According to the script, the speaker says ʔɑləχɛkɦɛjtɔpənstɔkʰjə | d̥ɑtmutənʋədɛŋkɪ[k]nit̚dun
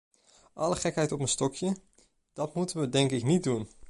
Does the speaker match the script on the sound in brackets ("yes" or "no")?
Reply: yes